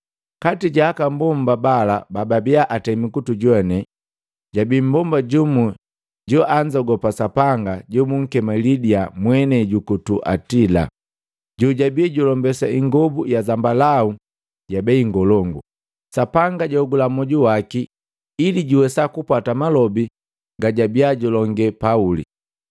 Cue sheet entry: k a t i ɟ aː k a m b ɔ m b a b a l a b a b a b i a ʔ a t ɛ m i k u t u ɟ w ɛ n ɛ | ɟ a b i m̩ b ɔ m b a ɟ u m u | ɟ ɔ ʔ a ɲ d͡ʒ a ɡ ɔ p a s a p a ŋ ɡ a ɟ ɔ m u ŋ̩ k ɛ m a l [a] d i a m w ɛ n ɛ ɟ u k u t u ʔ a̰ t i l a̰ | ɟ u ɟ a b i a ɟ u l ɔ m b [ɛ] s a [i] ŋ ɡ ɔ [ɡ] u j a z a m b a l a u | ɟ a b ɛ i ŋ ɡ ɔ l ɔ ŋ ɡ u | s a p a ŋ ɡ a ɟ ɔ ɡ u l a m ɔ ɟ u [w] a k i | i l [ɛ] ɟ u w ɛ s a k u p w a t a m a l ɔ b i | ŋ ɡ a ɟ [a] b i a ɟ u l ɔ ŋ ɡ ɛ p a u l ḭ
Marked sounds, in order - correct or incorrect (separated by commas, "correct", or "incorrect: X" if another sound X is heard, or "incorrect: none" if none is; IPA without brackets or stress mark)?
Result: incorrect: i, correct, correct, incorrect: b, correct, incorrect: i, correct